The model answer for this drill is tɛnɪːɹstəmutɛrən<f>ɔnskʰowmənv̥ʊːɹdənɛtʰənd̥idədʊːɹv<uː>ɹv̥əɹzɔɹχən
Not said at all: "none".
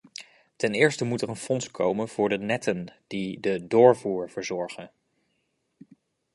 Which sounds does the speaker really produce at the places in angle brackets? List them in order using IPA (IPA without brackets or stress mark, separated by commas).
f, uː